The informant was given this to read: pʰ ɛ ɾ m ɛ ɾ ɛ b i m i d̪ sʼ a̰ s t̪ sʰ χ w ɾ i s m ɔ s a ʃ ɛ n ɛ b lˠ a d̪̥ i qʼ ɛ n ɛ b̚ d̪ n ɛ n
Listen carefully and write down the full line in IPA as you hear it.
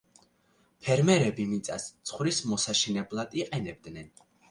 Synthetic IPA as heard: pʰ ɛ ɾ m ɛ ɾ ɛ b i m i t̪ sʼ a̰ s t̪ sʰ χ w ɾ i s m ɔ s a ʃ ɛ n ɛ b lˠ a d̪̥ i qʼ ɛ n ɛ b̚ d̪ n ɛ n

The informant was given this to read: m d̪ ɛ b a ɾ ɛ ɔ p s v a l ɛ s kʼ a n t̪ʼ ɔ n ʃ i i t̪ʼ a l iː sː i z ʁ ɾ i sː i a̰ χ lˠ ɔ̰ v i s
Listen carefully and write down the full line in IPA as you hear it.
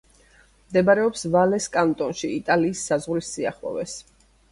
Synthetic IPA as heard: m d̪ ɛ b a ɾ ɛ ɔ p s v a l ɛ s kʼ a n t̪ʼ ɔ n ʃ i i t̪ʼ a l iː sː a z ʁ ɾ i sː i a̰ χ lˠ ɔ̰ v ɛ s

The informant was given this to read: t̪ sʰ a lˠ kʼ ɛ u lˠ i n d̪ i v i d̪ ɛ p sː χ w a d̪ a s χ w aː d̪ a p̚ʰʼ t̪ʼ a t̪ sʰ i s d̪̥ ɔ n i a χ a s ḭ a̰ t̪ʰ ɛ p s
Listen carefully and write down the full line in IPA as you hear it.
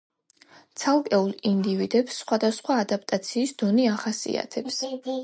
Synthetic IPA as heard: t̪ sʰ a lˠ kʼ ɛ u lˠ i n d̪ i v i d̪ ɛ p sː χ w a d̪ a s χ w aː d̪ a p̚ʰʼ t̪ʼ a t̪ sʰ iː s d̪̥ ɔ n i a χ a s ḭ a̰ t̪ʰ ɛ p s

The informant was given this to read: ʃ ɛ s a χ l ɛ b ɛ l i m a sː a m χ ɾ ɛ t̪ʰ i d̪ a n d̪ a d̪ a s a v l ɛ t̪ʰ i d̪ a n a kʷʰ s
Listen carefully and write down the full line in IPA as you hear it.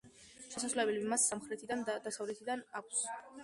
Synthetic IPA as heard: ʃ ɛ s a s l ɛ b ɛ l i m a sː a m χ ɾ ɛ t̪ʰ i d̪ a n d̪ a d̪ a s a v l ɛ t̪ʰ i d̪ a n a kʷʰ s

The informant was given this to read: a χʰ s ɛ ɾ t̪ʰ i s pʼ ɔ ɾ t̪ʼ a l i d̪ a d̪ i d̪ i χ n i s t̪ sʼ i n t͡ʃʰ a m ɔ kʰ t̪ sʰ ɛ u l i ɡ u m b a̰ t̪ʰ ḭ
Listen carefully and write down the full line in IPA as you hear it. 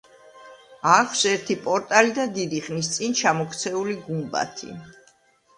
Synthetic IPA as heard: a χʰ s ɛ ɾ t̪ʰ i pʼ ɔ ɾ t̪ʼ a l i d̪ a d̪ i d̪ i χ n i s t̪ sʼ i n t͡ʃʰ a m ɔ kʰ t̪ sʰ ɛ u l i ɡ u m b a̰ t̪ʰ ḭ

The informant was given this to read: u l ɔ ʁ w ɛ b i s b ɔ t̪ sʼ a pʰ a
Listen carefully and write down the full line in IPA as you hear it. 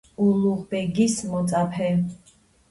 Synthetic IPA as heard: u l u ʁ b ɛ ɡ i s m ɔ t̪ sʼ a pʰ ɛ

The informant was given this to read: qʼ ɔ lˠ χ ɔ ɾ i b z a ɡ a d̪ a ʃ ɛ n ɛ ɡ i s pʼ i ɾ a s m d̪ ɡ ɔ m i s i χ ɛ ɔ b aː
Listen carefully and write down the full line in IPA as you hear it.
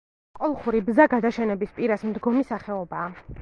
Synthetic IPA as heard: qʼ ɔ lˠ χ u ɾ i b z a ɡ a d̪ a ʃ ɛ n ɛ b i s pʼ i ɾ a s m d̪ ɡ ɔ m i s a χ ɛ ɔ b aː

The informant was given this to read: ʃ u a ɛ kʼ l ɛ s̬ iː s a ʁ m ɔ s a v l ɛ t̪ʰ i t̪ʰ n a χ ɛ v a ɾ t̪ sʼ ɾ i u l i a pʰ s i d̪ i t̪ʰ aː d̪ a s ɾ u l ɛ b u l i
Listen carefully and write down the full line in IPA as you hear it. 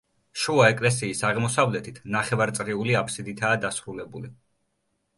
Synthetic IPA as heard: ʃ u a ɛ kʼ l ɛ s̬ iː s a ʁ m ɔ s a v l ɛ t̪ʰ i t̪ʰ n a χ ɛ v a ɾ t̪ sʼ ɾ i u l i a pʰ s i d̪ i t̪ʰ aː d̪ a s ɾ u l ɛ b u l i

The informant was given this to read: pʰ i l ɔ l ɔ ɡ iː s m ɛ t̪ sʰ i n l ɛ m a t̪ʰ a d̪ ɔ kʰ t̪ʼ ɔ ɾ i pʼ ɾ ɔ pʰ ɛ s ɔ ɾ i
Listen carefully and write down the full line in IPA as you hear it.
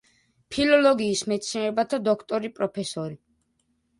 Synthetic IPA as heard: pʰ i l ɔ l ɔ ɡ iː s m ɛ t̪ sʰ i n ɾ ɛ b a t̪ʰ a d̪ ɔ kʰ t̪ʼ ɔ ɾ i pʼ ɾ ɔ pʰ ɛ s ɔ ɾ i

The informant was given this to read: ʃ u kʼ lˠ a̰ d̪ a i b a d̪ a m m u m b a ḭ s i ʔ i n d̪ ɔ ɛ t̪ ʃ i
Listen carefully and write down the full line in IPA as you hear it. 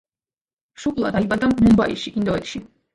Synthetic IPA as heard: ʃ u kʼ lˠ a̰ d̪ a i b a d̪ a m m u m b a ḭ ʃ i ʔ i n d̪ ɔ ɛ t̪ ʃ i

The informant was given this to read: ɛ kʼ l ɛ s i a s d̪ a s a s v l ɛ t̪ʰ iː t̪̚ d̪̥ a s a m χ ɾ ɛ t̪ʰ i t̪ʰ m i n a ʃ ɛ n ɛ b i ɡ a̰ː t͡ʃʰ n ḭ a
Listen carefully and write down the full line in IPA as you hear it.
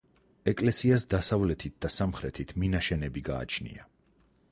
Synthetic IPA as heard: ɛ kʼ l ɛ s i a s d̪ a s a v l ɛ t̪ʰ i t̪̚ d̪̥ a s a m χ ɾ ɛ t̪ʰ i t̪ʰ m i n a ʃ ɛ n ɛ b i ɡ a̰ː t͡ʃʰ n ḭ a

